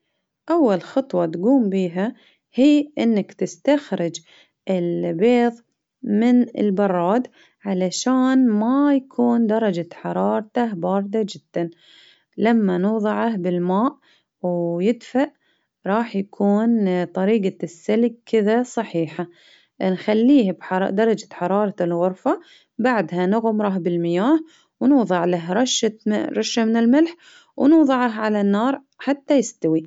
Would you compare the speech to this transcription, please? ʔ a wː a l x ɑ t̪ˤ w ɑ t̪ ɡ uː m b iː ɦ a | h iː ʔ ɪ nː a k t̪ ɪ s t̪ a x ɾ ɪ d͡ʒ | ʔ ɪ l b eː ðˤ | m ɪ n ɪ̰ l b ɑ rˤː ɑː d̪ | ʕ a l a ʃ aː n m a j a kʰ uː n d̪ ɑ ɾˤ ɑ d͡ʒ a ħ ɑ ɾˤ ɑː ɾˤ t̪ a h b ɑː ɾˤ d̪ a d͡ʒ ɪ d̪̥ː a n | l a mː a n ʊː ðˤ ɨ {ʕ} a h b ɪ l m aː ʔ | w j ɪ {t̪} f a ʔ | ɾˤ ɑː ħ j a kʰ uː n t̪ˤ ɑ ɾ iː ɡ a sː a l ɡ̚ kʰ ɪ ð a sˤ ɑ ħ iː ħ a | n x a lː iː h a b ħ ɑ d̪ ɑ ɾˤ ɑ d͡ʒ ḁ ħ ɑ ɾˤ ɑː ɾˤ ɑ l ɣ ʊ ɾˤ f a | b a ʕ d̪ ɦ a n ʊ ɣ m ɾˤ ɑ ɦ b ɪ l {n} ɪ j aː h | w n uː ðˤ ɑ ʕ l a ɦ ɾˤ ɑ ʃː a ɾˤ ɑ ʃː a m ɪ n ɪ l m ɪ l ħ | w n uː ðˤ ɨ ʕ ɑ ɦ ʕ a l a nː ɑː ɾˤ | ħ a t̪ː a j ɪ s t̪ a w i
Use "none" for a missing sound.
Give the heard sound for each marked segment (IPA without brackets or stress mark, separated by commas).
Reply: ʕ, d̪, m